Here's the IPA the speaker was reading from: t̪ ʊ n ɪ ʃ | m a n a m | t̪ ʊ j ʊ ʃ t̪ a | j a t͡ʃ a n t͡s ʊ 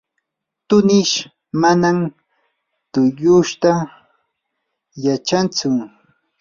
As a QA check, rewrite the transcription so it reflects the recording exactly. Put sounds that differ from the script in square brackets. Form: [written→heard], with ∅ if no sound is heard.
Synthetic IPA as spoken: t̪ ʊ n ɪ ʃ | m a n a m | t̪ ʊ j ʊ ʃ t̪ a | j a t͡ʃ a n t͡s ʊ